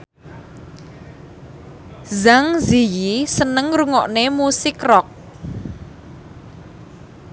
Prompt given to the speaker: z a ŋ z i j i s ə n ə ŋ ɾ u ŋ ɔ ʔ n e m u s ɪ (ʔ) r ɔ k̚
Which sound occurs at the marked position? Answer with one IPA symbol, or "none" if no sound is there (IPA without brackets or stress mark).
k